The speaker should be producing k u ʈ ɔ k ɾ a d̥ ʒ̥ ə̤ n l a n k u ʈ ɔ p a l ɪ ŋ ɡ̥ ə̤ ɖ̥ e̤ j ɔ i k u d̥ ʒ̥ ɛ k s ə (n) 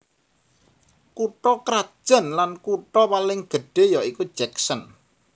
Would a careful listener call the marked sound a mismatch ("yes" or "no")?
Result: no